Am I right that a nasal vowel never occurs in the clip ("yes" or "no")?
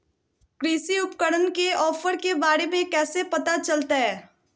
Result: no